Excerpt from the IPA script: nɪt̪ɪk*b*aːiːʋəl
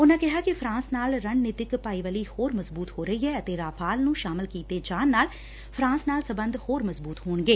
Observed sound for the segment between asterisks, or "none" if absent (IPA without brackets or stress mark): p